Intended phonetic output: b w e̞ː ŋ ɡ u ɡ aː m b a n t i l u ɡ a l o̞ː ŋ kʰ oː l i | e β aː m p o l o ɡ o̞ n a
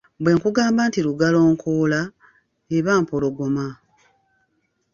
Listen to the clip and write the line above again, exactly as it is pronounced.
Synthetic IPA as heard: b w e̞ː ŋ k u ɡ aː m b a n t i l u ɡ a l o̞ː ŋ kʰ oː l a | e β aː m p o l o ɡ o̞ m a